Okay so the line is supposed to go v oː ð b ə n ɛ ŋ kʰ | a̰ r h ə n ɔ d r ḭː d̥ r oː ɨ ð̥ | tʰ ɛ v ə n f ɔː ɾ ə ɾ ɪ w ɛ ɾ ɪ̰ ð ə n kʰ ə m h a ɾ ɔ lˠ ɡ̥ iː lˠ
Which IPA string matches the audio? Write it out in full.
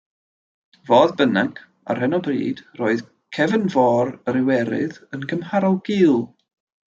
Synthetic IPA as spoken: v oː ð b ə n a ŋ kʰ | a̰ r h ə n ɔ b r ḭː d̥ r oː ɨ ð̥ | kʰ ɛ v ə n v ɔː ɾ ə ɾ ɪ w ɛ ɾ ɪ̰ ð ə n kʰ ə m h a ɾ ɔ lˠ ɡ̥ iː lˠ